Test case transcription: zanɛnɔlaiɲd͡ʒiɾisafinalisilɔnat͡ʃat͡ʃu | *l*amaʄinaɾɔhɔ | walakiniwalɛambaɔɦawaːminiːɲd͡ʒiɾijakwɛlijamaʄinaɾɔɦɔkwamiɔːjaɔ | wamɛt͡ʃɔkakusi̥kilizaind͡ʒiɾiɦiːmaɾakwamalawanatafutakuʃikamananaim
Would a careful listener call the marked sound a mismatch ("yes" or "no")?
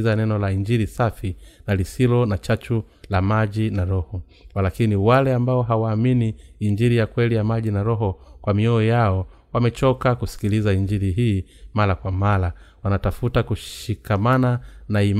no